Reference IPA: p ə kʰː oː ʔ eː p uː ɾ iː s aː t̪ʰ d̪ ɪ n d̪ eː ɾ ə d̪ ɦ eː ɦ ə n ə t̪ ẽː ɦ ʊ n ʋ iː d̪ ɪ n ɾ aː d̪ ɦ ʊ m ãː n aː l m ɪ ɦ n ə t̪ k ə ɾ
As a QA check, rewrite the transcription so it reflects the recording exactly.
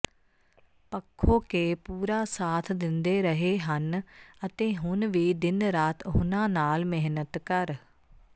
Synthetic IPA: p ə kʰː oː k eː p uː ɾ aː s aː t̪ʰ d̪ ɪ n d̪ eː ɾ ə ɦ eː ɦ ə n ə t̪ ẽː ɦ ʊ n ʋ iː d̪ ɪ n ɾ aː t̪ ɦ ʊ n ãː n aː l m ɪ ɦ n ə t̪ k ə ɾ